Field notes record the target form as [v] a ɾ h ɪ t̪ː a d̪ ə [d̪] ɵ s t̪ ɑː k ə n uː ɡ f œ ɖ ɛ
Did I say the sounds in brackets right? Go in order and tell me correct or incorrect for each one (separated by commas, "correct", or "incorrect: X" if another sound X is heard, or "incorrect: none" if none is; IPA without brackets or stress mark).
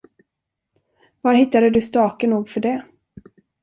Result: correct, correct